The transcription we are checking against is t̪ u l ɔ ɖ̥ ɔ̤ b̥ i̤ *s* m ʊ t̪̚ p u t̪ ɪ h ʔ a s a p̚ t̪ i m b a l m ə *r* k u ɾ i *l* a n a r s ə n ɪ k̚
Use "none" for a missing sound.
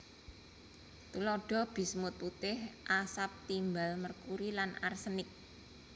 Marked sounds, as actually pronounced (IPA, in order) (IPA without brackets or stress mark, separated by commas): s, r, l